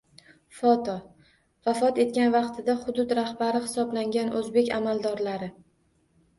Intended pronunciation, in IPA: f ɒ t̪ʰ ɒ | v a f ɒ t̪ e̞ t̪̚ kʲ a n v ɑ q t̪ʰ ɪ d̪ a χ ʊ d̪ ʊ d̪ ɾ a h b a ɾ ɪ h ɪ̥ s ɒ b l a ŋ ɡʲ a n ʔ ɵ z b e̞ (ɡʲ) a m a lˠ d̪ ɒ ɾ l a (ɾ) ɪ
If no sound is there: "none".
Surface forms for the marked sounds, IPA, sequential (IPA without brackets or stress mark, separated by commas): kʲ, ɾ